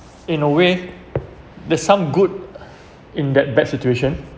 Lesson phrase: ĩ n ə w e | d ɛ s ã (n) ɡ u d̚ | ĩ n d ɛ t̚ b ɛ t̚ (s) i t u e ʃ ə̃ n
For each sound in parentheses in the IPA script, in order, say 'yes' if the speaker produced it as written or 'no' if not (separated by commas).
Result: no, yes